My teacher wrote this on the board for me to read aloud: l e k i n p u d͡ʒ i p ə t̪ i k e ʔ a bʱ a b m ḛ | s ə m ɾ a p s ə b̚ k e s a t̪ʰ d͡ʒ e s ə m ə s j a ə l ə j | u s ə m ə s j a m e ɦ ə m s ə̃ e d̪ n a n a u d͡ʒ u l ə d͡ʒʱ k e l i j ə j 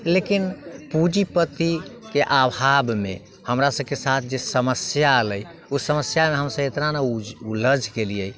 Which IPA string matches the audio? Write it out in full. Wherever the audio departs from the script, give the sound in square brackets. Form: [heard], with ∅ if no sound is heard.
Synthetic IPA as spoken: l e k i n p u d͡ʒ i p ə t̪ i k e ʔ a bʱ a b m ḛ | [h] ə m ɾ a [∅] s ə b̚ k e s a t̪ʰ d͡ʒ e s ə m ə s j a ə l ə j | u s ə m ə s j a m e ɦ ə m s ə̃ e [t̪] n a n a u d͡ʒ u l ə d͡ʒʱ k e l i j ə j